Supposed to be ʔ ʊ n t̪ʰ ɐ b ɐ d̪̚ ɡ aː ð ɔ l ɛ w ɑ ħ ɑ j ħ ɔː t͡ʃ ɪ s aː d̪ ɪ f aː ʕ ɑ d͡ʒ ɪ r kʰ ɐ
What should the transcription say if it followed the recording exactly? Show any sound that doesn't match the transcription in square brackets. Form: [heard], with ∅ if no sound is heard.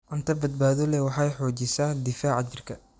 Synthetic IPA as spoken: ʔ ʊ n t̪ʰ ɐ b ɐ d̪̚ [b] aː ð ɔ l ɛ w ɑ ħ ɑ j ħ ɔː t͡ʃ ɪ s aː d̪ ɪ f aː ʕ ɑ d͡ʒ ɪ r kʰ ɐ